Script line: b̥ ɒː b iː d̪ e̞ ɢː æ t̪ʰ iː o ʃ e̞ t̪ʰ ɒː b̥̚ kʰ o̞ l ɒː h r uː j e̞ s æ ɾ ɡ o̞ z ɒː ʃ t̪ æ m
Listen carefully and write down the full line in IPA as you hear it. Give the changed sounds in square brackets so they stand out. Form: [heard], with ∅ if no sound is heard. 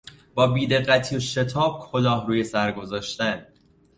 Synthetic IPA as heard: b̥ ɒː b iː d̪ e̞ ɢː æ t̪ʰ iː o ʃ e̞ t̪ʰ ɒː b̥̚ kʰ o̞ l ɒː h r uː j e̞ s æ ɾ ɡ o̞ z ɒː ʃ t̪ æ [n]